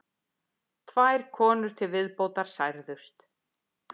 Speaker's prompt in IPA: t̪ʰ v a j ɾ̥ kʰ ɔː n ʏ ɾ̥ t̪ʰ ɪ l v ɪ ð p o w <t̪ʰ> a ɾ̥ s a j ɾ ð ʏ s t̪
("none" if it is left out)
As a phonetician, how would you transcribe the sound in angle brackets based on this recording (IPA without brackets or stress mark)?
t̪